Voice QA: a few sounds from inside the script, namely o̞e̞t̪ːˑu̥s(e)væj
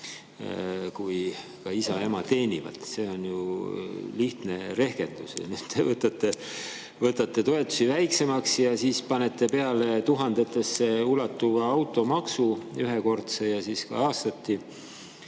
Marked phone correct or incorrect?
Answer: incorrect